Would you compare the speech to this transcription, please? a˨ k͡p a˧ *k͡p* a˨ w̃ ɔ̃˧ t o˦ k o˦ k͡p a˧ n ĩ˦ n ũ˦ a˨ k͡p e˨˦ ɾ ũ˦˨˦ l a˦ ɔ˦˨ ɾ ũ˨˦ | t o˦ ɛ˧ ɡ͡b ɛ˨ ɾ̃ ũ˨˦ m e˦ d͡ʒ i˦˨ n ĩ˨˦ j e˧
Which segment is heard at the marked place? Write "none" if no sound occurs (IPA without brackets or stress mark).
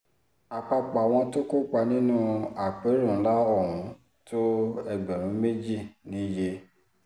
k͡p